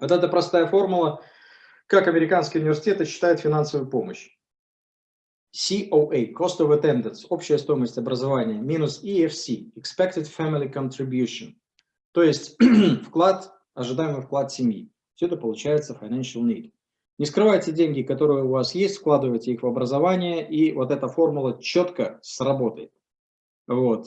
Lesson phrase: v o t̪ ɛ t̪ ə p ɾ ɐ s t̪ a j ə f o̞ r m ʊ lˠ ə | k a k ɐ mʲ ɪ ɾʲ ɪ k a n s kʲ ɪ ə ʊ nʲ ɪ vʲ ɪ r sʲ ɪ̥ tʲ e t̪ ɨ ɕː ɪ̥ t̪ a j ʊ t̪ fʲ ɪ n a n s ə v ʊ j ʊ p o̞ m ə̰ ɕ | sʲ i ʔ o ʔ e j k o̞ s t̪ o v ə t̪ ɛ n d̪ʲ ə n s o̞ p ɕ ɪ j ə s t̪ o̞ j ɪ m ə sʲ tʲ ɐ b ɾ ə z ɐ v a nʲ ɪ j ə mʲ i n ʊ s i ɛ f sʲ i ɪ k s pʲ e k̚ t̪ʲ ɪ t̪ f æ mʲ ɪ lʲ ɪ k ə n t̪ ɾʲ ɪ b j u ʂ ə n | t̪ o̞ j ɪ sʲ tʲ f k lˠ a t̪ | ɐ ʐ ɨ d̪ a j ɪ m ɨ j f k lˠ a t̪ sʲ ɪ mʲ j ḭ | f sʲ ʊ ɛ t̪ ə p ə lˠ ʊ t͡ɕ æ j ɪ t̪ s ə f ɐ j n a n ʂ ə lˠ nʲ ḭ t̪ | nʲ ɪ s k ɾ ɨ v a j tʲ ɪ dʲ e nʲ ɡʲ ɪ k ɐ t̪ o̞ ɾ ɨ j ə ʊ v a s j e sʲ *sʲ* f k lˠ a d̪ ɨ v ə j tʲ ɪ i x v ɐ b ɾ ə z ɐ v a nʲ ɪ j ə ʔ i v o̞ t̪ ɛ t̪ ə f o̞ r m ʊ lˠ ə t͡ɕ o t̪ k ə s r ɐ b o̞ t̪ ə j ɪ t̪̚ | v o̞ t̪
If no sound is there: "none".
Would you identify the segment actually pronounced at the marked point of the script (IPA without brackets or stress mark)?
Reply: tʲ